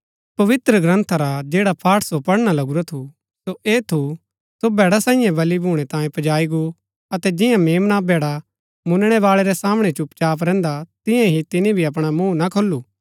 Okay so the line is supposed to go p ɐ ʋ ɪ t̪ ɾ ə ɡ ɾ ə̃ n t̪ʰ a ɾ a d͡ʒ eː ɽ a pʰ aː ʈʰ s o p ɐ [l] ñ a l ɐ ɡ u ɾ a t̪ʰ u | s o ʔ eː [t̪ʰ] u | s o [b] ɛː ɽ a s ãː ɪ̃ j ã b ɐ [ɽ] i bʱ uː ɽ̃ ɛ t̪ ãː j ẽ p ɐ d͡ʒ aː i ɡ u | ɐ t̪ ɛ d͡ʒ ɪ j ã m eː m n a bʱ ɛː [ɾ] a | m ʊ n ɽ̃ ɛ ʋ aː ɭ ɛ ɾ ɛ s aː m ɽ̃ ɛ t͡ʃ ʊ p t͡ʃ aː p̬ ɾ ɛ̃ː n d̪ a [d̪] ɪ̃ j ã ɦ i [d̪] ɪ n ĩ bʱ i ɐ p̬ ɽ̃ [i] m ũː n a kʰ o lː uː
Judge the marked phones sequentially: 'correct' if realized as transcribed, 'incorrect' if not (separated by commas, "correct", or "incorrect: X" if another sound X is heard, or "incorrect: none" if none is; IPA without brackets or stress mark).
incorrect: ɽ, correct, correct, incorrect: l, incorrect: ɽ, incorrect: t̪, incorrect: t̪, incorrect: a